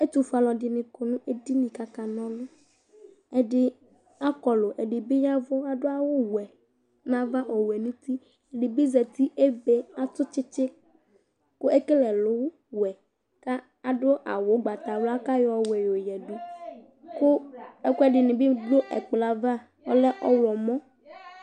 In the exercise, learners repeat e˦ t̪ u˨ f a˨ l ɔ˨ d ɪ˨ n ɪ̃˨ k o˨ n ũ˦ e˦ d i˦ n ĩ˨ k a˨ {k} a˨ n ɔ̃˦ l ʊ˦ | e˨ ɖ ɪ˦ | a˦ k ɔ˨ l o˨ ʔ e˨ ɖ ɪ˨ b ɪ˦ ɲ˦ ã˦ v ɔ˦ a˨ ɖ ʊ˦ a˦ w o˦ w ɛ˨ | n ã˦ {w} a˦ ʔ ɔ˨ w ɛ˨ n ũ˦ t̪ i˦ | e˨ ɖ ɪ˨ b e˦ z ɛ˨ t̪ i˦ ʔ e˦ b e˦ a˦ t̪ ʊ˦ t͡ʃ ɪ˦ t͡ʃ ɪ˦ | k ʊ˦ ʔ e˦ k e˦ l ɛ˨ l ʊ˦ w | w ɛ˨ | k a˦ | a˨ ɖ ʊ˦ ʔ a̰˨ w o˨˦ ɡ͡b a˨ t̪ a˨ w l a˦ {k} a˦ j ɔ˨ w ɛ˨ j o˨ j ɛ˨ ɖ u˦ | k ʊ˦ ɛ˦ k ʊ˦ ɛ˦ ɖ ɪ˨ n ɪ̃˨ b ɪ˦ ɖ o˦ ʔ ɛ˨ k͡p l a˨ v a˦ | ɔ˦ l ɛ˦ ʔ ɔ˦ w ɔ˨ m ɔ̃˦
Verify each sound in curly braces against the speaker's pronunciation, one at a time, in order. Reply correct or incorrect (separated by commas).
correct, incorrect, correct